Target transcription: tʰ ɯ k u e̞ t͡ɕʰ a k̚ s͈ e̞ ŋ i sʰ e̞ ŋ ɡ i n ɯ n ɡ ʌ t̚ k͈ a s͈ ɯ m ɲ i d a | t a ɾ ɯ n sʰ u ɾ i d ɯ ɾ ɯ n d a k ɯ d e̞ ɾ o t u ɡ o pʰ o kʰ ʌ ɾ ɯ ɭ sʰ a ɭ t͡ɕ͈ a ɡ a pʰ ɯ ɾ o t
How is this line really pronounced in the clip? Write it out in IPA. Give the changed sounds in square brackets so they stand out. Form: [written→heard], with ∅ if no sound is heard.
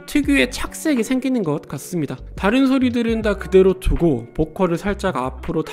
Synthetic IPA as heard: tʰ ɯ [k→ɡ] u e̞ t͡ɕʰ a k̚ s͈ e̞ [ŋ→ɡ] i sʰ e̞ ŋ ɡ i n ɯ n ɡ ʌ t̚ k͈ a s͈ ɯ m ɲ i d a | t a ɾ ɯ n sʰ [u→o] ɾ i d ɯ ɾ ɯ n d a k ɯ d e̞ ɾ o t u ɡ o [pʰ→p] o kʰ ʌ ɾ ɯ ɭ sʰ a ɭ t͡ɕ͈ a ɡ a pʰ ɯ ɾ o t